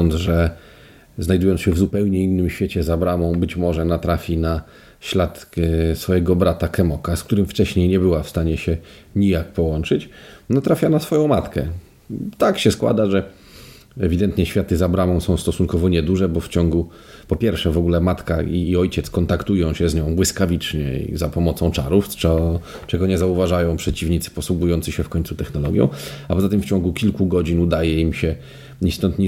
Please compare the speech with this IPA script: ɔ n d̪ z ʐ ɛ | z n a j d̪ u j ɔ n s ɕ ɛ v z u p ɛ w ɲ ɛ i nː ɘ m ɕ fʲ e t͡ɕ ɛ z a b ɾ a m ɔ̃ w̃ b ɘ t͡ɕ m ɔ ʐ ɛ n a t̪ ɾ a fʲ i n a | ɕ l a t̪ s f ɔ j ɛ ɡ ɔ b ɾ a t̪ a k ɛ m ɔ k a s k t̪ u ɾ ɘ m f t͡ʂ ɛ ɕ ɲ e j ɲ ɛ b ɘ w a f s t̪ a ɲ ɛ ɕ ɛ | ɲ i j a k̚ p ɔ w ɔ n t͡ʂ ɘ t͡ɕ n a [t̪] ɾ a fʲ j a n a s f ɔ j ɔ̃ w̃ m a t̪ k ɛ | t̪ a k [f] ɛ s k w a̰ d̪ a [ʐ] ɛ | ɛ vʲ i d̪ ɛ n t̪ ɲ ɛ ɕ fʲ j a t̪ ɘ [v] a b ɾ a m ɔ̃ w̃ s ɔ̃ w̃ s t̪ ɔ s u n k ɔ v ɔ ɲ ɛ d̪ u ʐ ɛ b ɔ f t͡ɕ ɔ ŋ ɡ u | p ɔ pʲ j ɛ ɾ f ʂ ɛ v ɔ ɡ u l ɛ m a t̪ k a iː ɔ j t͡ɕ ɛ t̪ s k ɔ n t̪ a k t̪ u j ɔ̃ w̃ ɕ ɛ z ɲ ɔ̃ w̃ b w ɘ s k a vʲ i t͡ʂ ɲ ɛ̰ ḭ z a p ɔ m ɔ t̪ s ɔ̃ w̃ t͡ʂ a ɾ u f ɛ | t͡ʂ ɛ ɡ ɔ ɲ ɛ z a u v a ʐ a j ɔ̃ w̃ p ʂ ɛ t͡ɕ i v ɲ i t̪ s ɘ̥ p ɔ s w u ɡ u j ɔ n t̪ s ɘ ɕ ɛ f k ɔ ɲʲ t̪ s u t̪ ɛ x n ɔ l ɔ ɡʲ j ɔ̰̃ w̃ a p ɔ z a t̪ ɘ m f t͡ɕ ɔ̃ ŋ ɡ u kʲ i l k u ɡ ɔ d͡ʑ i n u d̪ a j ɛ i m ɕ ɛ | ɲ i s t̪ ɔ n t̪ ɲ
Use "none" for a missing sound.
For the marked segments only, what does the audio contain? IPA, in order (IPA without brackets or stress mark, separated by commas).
t̪, ɕ, ʐ, z